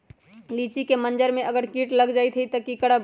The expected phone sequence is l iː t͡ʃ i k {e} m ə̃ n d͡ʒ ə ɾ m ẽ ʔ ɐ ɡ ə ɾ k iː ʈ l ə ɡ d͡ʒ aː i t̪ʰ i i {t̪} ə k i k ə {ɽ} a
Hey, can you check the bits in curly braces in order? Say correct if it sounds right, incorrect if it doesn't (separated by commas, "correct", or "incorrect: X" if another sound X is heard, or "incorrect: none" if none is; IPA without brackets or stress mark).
correct, correct, correct